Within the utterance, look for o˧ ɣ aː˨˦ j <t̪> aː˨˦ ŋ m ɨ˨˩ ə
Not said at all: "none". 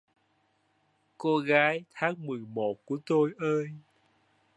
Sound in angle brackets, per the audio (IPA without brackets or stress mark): t̪ʰ